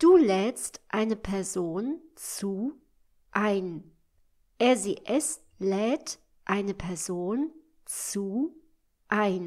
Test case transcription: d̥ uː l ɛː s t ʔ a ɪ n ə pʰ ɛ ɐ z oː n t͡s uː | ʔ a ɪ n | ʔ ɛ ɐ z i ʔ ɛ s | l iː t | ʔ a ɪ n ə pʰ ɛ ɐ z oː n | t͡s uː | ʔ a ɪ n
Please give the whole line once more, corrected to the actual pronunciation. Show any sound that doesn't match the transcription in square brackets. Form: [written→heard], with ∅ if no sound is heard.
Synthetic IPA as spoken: d̥ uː l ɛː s t ʔ a ɪ n ə pʰ ɛ ɐ z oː n t͡s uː | ʔ a ɪ n | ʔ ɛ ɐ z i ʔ ɛ s | l [iː→ɛː] t | ʔ a ɪ n ə pʰ ɛ ɐ z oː n | t͡s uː | ʔ a ɪ n

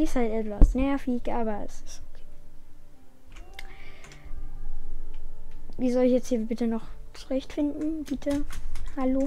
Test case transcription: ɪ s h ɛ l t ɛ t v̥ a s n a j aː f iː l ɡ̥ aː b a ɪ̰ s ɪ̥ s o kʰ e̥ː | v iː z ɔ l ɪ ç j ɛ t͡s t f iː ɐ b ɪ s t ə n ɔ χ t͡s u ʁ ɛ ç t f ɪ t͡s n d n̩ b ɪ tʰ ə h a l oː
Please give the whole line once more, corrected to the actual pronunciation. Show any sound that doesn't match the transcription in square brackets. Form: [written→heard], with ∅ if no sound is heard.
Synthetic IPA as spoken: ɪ s h [ɛ→a] l t ɛ t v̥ a s n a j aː f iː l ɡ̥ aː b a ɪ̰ s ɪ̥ s o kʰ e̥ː | v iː z ɔ l ɪ ç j ɛ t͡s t [f→h] iː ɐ b ɪ [s→∅] t ə n ɔ χ t͡s u ʁ ɛ ç t f ɪ [t͡s→∅] n d n̩ b ɪ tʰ ə h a l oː

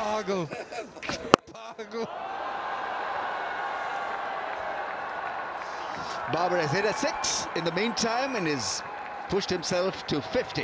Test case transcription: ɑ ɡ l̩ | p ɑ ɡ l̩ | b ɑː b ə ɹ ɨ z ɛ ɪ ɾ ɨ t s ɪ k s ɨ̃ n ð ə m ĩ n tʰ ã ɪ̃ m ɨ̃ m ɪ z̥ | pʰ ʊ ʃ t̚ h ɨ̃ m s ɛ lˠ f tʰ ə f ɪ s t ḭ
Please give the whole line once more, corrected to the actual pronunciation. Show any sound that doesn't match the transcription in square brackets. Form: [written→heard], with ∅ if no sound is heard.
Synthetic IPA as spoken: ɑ ɡ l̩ | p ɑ ɡ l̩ | b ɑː b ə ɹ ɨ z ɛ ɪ ɾ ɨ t s ɪ k s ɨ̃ n ð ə m ĩ n tʰ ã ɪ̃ m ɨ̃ [m→n] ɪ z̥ | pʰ ʊ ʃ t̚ h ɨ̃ m s ɛ lˠ f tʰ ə f ɪ [s→f] t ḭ

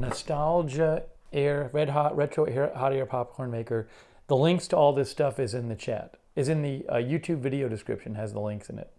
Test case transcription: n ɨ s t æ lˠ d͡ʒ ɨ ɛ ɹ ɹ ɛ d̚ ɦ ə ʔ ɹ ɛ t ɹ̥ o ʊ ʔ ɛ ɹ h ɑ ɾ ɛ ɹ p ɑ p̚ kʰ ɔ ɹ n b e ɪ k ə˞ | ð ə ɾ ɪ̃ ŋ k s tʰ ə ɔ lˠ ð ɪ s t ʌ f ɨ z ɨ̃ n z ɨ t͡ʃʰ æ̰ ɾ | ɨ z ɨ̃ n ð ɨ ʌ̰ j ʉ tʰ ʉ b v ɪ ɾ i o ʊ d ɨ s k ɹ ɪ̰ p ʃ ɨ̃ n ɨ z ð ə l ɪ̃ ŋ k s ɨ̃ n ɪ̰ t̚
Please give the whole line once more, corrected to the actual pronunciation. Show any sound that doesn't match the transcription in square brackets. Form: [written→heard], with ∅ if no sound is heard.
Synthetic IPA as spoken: n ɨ s t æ lˠ d͡ʒ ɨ ɛ ɹ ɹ ɛ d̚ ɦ [ə→ɑ] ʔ ɹ ɛ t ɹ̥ o ʊ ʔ ɛ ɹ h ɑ ɾ ɛ ɹ [p→pʰ] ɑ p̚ kʰ ɔ ɹ n [b→m] e ɪ k ə˞ | ð ə [ɾ→l] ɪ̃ ŋ k s tʰ ə ɔ lˠ ð ɪ s t ʌ f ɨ z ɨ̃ n [z→ð] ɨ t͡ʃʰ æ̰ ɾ | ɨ z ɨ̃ n ð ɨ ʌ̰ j ʉ tʰ ʉ b v ɪ ɾ i o ʊ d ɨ s k ɹ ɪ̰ p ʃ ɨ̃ n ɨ z ð ə l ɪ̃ ŋ k s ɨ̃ n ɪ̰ t̚

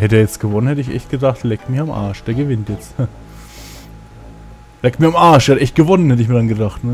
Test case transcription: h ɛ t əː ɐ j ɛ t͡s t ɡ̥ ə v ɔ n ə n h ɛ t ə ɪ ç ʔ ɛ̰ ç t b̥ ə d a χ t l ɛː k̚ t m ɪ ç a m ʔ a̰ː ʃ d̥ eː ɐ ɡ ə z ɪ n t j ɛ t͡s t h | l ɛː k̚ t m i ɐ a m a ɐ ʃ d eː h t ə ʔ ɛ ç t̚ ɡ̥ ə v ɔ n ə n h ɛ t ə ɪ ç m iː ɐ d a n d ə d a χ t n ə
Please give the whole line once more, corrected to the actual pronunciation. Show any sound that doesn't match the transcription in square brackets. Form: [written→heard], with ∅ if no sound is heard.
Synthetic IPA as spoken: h ɛ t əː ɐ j ɛ t͡s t ɡ̥ ə v ɔ n ə n h ɛ t ə ɪ ç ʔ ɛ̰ ç t [b̥→ɡ̥] ə d a χ t l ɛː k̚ t m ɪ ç a m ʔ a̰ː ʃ d̥ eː ɐ ɡ ə [z→v] ɪ n t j ɛ t͡s t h | l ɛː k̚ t m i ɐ a m a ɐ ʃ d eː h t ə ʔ ɛ ç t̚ ɡ̥ ə v ɔ n ə n h ɛ t ə ɪ ç m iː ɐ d a n [d→ɡ] ə d a χ t n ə

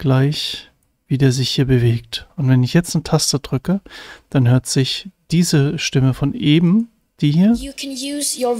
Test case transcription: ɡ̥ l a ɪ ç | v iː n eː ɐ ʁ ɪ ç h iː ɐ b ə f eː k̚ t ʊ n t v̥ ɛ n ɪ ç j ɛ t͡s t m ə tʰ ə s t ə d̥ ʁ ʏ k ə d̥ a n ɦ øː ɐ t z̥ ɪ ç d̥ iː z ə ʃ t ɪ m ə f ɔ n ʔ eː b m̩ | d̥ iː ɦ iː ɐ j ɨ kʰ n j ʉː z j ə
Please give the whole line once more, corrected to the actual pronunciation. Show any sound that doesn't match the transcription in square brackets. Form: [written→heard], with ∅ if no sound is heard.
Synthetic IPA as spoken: ɡ̥ l a ɪ ç | v iː [n→d] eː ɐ [ʁ→z] ɪ ç h iː ɐ b ə [f→v] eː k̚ t ʊ n t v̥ ɛ n ɪ ç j ɛ t͡s t [m→n] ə tʰ [ə→a] s t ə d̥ ʁ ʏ k ə d̥ a n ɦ øː ɐ t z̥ ɪ ç d̥ iː z ə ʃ t ɪ m ə f ɔ n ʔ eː b m̩ | d̥ iː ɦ iː ɐ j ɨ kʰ n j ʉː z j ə

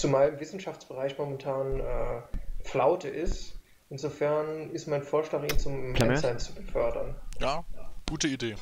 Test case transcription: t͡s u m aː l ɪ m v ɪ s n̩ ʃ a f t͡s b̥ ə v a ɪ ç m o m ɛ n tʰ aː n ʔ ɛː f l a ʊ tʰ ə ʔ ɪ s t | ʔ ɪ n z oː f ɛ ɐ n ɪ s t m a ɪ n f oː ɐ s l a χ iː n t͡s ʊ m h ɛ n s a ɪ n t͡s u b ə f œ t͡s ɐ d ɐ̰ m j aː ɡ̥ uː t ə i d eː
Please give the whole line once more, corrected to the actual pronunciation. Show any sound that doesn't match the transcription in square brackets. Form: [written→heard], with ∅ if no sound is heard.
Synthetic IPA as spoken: t͡s u m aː l ɪ m v ɪ s n̩ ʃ a f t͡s b̥ ə [v→ʁ] a ɪ ç m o m ɛ n tʰ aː n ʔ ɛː f l a ʊ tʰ ə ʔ ɪ s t | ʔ ɪ n z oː f ɛ ɐ n ɪ s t m a ɪ n f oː ɐ [s→ʃ] l a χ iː n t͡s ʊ m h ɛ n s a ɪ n t͡s u b ə f œ [t͡s→∅] ɐ d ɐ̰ [m→n] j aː ɡ̥ uː t ə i d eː

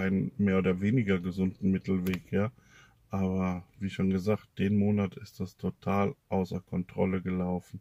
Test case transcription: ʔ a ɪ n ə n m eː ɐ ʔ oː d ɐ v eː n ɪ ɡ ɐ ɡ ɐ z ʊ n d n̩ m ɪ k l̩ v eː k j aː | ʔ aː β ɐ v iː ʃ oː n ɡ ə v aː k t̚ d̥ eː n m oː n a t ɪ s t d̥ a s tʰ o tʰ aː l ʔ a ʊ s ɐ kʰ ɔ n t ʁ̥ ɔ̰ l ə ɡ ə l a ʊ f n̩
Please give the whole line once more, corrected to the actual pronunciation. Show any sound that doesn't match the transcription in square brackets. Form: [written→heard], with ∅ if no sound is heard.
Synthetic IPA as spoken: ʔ a ɪ n ə n m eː ɐ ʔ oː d ɐ v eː n ɪ ɡ ɐ ɡ [ɐ→ə] z ʊ n d n̩ m ɪ [k→t] l̩ v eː k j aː | ʔ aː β ɐ v iː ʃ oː n ɡ ə [v→z] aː k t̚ d̥ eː n m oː n a t ɪ s t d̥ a s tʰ o tʰ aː l ʔ a ʊ s ɐ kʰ ɔ n t ʁ̥ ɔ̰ l ə ɡ ə l a ʊ f n̩

